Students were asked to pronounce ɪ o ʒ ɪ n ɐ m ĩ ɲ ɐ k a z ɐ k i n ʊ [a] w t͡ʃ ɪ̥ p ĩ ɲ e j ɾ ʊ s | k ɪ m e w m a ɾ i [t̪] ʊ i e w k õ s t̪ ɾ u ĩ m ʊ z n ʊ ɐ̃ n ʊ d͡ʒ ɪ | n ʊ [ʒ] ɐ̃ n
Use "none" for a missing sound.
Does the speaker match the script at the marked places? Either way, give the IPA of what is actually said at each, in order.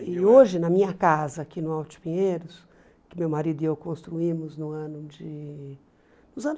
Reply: a, d̪, z

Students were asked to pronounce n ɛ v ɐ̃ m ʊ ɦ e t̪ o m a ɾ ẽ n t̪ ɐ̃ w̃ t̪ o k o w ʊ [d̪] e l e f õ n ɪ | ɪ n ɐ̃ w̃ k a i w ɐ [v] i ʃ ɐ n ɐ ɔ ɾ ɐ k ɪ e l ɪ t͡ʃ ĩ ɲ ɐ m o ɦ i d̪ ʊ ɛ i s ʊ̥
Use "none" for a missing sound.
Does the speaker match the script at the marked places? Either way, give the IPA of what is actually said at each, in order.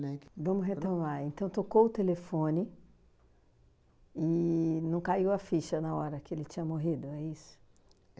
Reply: t̪, f

